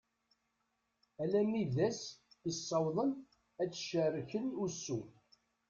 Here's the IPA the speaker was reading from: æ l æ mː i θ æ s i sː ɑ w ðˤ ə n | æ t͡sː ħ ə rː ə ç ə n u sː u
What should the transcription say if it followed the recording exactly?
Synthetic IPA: æ l æ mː i ð æ s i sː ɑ w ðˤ ə n | æ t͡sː ʃ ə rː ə ç ə n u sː u

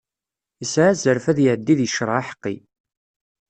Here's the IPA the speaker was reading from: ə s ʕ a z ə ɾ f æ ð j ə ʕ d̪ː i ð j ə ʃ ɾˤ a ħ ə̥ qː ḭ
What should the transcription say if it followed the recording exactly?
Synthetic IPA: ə s ʕ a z ə ɾ f æ ð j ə ʕ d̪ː i ð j ə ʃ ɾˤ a ħ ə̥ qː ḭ

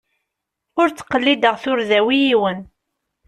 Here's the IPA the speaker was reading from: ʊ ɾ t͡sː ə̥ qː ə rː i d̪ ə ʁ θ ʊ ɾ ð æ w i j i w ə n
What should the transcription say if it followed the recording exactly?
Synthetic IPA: ʊ ɾ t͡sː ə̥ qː ə lː i d̪ ə ʁ θ ʊ ɾ ð æ w i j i w ə n

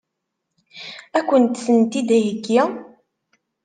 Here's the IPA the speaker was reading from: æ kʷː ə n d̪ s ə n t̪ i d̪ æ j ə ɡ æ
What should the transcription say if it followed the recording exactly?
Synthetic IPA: æ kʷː ə n t̪ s ə n t̪ i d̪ æ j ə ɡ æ

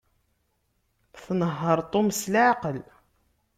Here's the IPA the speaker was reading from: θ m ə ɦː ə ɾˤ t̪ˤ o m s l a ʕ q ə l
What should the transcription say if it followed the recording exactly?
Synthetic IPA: θ n ə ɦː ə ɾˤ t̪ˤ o m s l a ʕ q ə l

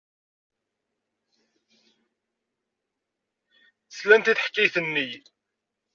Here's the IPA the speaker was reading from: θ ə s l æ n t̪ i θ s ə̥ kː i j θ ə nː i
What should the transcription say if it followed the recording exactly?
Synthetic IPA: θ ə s l æ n t̪ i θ ħ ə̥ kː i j θ ə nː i

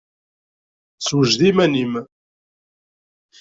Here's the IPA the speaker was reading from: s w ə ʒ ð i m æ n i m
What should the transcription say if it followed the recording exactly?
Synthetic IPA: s w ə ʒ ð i m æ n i m

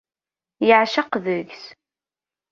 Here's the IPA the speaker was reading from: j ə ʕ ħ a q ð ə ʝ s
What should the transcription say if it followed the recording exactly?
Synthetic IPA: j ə ʕ ʃ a q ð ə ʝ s

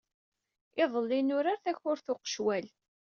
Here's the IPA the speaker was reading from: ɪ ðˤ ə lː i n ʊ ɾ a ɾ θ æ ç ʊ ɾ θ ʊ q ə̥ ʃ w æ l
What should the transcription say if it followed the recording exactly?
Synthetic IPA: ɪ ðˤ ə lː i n ʊ ɾ a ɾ θ æ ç ʊ ɾ θ ʊ q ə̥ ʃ w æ l

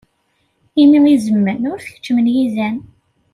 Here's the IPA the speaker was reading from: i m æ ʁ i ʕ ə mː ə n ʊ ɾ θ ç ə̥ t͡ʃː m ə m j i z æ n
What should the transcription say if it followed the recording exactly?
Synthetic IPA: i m i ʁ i z ə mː ə n ʊ ɾ θ ç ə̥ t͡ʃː m ə n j i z æ n

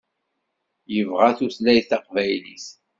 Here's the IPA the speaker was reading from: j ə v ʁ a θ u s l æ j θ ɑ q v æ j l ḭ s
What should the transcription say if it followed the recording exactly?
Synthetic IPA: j ə v ʁ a θ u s l æ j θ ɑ q v æ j l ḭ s

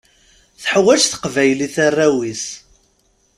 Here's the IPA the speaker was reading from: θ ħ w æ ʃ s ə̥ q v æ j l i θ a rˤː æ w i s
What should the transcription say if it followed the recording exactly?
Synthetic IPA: θ ħ w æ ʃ θ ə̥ q v æ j l i θ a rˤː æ w i s

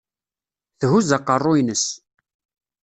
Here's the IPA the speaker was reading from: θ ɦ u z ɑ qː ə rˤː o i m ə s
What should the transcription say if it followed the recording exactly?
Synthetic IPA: θ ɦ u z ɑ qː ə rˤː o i n ə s

